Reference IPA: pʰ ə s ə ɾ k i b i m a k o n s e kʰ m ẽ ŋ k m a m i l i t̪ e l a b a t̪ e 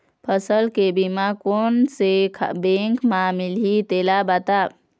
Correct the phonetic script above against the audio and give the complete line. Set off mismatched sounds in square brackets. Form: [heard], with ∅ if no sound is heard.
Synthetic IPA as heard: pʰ ə s ə [l] k [e] b i m a k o n s e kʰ [b] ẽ ŋ k m a m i l i t̪ e l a b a t̪ [a]